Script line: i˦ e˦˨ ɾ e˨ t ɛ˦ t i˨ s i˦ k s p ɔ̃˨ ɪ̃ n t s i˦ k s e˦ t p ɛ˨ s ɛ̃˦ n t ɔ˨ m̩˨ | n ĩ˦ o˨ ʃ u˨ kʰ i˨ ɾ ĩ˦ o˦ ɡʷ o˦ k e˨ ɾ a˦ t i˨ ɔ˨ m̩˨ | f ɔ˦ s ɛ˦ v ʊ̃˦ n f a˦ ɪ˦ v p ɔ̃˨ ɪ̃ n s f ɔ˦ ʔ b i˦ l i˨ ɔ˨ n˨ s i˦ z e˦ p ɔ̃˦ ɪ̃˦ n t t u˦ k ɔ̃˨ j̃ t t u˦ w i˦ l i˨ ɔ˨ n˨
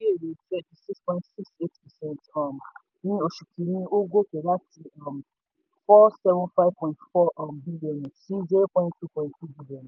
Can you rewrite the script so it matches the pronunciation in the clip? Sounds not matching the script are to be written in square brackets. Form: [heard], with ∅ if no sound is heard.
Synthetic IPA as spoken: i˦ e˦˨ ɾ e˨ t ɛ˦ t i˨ s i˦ k s p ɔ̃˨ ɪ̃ n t s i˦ k s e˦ t p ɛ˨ s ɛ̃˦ n t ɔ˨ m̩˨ | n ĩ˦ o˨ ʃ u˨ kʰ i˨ ɾ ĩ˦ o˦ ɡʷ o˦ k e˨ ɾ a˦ t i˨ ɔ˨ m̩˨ | f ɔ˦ s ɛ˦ v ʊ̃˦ n f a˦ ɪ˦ v p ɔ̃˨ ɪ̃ n [t] f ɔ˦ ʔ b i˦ l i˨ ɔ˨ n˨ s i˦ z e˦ p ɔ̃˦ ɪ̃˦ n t t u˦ [p] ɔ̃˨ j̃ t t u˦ [b] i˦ l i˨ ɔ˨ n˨